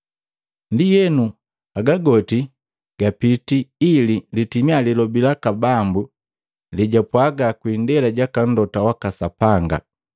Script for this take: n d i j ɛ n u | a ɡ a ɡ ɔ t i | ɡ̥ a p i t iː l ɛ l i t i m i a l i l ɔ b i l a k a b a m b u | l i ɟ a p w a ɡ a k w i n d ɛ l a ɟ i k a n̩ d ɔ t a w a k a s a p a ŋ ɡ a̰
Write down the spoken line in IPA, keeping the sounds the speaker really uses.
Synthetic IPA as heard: n d i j ɛ n u | a ɡ a ɡ ɔ t i | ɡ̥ a p i t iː l i l i t i m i a l i l ɔ b i l a k a b a m b u | l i ɟ a p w a ɡ a k w i n d ɛ l a ɟ a k a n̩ d ɔ t a w a k a s a p a ŋ ɡ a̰